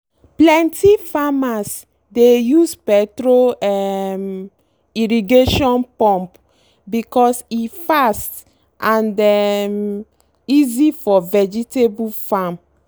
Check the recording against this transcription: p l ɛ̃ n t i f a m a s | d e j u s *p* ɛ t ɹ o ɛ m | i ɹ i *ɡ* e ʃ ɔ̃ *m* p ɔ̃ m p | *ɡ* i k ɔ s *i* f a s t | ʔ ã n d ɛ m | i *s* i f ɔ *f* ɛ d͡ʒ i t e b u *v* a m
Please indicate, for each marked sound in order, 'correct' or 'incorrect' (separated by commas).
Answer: correct, correct, incorrect, incorrect, correct, incorrect, incorrect, incorrect